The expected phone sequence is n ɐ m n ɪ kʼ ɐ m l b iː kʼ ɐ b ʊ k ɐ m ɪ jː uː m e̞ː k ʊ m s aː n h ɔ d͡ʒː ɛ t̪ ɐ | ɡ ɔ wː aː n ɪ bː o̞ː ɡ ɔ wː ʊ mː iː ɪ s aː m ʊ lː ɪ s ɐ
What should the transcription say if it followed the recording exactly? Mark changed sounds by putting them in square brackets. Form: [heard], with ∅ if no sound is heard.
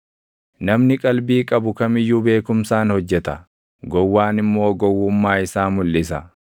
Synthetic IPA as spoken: n ɐ m n ɪ kʼ ɐ [∅] l b iː kʼ ɐ b ʊ k ɐ m ɪ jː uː [b] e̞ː k ʊ m s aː n h ɔ d͡ʒː ɛ t̪ ɐ | ɡ ɔ wː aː n ɪ [mː] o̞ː ɡ ɔ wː ʊ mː [aː] ɪ s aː m ʊ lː ɪ s ɐ